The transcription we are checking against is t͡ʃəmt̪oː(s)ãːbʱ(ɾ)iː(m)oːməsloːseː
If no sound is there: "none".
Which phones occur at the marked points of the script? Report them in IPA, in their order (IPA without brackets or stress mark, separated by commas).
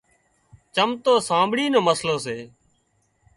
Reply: s, ɽ, n